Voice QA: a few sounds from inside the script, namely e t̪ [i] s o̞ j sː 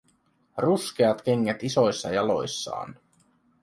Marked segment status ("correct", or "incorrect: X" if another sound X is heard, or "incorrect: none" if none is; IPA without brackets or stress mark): correct